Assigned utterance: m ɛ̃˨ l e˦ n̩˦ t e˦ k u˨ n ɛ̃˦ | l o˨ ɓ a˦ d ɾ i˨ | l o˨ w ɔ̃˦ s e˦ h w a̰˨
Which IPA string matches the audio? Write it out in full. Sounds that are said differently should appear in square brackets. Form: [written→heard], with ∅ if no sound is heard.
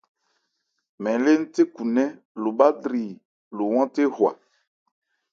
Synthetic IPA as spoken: m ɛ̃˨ l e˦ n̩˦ t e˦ k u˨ n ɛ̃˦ | l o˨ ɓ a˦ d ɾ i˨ | l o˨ w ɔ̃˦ [s→t] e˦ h w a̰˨

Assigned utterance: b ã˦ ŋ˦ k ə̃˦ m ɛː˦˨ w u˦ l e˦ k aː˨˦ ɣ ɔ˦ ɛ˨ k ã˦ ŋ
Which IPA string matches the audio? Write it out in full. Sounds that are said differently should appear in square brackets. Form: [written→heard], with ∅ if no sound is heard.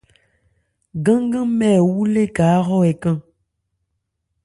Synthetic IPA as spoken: [b→ɡ] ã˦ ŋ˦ [k→ɡ] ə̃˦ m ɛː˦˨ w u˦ l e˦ k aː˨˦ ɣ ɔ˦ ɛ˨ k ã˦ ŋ

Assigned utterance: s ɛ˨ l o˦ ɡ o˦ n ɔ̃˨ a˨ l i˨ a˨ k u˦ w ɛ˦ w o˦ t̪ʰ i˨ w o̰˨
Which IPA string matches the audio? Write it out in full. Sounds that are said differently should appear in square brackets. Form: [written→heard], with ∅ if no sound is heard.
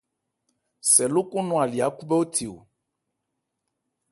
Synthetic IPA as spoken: s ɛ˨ l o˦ [ɡ→k] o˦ n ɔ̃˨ a˨ l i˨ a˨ k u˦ [w→b] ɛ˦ w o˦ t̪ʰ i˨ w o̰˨

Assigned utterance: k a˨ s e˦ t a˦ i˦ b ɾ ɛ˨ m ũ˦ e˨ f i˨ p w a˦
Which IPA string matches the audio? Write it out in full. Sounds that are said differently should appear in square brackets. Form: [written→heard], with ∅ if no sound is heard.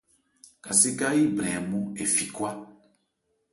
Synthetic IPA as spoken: k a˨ s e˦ [t→k] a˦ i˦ b ɾ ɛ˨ m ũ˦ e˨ f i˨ [p→k] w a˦

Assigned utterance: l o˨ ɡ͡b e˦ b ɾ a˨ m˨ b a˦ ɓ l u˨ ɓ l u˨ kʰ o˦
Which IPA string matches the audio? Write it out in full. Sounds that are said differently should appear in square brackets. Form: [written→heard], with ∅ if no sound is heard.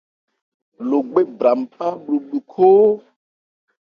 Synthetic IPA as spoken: l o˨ ɡ͡b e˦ b ɾ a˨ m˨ [b→p] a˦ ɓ l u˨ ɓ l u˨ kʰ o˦

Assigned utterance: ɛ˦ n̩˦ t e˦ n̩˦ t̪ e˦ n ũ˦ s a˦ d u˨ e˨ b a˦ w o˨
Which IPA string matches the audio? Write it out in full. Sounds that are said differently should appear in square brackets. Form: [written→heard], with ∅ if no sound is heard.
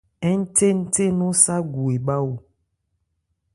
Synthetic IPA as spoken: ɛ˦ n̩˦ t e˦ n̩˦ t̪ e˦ n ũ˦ s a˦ [d→ɡ] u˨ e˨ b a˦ w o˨

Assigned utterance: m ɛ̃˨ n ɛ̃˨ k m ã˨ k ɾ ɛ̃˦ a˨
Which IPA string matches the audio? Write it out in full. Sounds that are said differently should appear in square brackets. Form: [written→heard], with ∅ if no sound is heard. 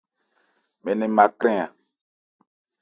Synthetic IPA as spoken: m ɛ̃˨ n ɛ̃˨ [k→∅] m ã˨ k ɾ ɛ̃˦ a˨

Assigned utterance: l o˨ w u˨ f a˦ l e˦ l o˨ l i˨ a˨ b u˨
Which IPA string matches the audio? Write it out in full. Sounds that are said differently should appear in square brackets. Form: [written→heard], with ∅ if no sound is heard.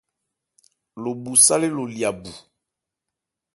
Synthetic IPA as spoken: l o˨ [w→b] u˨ [f→s] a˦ l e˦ l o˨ l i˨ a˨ b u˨

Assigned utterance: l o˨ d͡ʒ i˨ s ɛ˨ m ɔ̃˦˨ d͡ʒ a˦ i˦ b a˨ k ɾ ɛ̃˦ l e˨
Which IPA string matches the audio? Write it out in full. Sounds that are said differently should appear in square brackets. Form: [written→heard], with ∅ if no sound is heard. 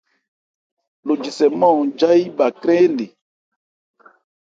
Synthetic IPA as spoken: l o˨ d͡ʒ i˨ s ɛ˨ m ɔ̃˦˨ d͡ʒ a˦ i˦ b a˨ k ɾ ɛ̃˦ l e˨

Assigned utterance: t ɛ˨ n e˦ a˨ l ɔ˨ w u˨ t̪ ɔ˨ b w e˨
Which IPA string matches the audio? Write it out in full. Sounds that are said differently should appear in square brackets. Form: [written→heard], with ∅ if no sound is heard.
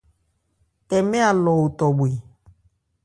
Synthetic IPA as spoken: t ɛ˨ [n→m] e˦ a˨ l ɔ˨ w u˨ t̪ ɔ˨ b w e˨

